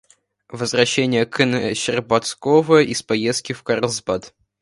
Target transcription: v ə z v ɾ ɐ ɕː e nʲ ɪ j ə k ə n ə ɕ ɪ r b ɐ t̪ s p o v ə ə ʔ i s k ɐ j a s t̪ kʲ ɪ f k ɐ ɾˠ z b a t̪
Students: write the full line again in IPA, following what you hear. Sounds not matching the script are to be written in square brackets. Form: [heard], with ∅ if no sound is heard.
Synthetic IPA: v ə z v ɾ ɐ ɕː e nʲ ɪ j ə k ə n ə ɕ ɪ r b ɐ t̪ s [k] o v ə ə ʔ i s [p] ɐ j [e] s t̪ kʲ ɪ f k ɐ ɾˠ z b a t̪

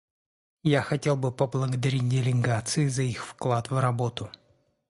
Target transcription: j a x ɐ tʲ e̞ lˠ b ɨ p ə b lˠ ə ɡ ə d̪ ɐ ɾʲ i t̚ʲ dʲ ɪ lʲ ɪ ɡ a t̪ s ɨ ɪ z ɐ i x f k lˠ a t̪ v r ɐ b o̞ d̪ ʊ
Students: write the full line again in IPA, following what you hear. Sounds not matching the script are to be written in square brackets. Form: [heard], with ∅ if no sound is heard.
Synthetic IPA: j a x ɐ tʲ e̞ lˠ b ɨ p ə b lˠ ə ɡ ə d̪ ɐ ɾʲ i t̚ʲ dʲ ɪ lʲ ɪ ɡ a t̪ s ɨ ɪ z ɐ i x f k lˠ a t̪ v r ɐ b o̞ [t̪] ʊ

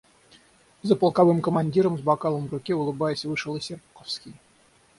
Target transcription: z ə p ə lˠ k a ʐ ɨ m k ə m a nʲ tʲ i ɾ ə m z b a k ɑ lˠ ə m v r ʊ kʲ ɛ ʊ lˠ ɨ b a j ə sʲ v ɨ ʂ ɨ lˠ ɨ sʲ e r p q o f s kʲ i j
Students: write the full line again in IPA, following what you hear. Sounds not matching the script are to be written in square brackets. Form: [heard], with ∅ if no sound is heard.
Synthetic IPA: z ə p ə lˠ k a [v] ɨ m k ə m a nʲ [dʲ] i ɾ ə m z b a k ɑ lˠ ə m v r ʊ kʲ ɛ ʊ lˠ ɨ b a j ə sʲ v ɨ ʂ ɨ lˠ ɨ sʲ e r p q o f s kʲ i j

